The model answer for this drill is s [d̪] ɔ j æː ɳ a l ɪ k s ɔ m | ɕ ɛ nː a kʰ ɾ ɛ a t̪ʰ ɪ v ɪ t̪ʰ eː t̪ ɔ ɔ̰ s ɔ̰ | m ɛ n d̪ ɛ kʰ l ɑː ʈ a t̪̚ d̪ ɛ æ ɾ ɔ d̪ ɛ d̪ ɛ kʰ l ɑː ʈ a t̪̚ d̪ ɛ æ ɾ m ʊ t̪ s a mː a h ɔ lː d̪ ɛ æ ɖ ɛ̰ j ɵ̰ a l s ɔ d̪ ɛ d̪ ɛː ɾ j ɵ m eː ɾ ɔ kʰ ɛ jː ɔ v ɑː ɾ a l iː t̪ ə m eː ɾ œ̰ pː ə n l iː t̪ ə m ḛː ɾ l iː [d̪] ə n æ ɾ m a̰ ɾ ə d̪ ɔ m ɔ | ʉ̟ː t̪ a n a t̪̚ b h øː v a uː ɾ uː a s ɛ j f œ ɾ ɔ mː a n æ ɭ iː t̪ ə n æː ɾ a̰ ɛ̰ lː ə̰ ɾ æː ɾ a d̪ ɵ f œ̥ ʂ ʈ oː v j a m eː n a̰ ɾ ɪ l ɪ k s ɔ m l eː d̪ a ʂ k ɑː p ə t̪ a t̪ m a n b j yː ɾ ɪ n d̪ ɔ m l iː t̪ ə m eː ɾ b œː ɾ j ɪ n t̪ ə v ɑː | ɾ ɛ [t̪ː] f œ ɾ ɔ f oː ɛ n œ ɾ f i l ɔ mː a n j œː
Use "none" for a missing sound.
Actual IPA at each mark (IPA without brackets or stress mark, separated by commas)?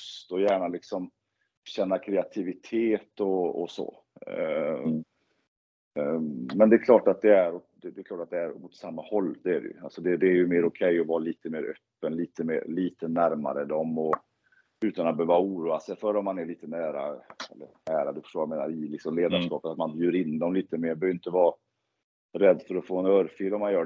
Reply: t̪, t̪, d̪ː